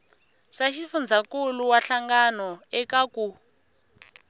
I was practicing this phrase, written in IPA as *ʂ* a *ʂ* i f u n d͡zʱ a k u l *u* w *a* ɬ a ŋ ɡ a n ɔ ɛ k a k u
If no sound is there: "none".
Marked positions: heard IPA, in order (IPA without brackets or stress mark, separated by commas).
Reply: ʂ, ʃ, u, a